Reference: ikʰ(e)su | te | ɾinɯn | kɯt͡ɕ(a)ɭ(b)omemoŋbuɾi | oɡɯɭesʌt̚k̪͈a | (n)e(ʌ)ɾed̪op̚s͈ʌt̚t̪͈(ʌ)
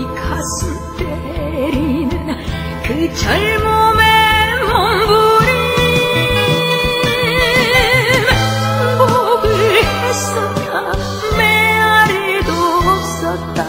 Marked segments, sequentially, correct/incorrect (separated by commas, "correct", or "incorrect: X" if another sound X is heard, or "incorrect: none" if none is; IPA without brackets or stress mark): incorrect: a, incorrect: ʌ, incorrect: m, incorrect: m, incorrect: a, incorrect: a